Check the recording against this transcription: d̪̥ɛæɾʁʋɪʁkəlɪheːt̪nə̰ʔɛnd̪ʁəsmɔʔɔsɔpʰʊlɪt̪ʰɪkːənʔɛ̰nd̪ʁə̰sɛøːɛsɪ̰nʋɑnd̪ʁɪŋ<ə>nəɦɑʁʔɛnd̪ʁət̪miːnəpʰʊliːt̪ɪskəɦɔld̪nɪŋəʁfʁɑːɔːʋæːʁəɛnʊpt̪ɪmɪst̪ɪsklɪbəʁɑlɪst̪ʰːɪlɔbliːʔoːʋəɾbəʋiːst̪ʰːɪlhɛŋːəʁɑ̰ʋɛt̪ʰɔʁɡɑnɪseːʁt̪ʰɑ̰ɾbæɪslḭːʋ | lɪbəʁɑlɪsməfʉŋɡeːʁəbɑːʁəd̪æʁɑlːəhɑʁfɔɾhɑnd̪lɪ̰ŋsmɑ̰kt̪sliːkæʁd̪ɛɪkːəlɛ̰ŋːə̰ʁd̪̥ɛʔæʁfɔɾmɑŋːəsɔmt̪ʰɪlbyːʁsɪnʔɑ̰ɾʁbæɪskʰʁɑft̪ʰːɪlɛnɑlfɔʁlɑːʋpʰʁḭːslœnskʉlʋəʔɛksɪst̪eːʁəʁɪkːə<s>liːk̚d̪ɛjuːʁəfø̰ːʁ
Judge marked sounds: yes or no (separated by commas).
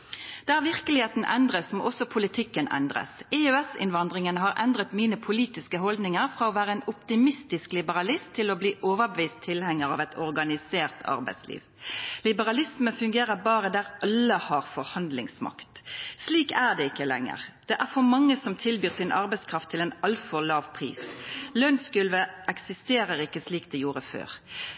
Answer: yes, yes